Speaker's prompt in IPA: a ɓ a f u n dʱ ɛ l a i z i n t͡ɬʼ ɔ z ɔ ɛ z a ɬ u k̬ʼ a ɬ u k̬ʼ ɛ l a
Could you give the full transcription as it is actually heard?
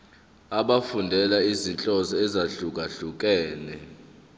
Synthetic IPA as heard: a ɓ a f u n dʱ ɛ l a i z i n t͡ɬʼ ɔ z ɔ ɛ z a ɬ u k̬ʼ a ɬ u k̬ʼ ɛː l ɛ